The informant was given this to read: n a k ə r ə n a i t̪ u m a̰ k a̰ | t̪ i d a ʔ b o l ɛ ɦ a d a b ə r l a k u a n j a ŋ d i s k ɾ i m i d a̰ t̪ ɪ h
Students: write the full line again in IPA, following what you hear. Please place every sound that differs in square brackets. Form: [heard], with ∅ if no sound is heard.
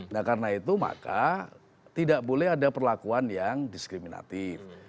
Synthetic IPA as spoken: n a k [a] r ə n a i t̪ u m a̰ k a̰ | t̪ i d a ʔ b o l ɛ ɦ a d a [p] ə r l a k u a n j a ŋ d i s k ɾ i m i [n] a̰ t̪ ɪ [f]